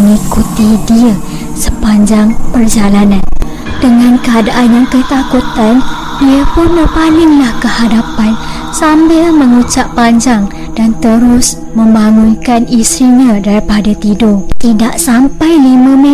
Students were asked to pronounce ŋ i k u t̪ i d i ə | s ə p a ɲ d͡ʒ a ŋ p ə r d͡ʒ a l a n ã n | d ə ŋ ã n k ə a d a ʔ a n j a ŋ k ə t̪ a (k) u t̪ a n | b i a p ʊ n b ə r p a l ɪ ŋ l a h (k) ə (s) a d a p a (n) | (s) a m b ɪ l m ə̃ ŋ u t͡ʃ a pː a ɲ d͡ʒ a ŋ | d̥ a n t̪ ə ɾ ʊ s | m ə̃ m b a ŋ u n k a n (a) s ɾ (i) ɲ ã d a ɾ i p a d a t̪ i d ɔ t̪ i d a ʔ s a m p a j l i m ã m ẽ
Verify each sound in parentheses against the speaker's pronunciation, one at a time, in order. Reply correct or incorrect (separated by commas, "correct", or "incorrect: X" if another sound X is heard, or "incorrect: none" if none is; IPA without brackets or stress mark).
correct, correct, incorrect: h, correct, correct, incorrect: i, correct